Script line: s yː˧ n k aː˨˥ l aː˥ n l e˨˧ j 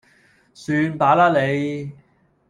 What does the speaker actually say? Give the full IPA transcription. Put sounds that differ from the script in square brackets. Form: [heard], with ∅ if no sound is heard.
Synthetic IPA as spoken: s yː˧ n [p] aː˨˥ l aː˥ [∅] l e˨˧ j